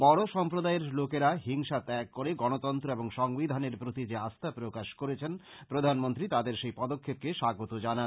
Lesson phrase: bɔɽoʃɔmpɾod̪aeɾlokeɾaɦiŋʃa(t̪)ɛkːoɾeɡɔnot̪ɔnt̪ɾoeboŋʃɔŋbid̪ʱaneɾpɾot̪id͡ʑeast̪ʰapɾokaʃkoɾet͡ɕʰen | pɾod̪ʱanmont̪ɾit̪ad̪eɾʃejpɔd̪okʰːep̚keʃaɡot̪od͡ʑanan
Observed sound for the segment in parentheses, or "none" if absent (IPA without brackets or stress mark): t̪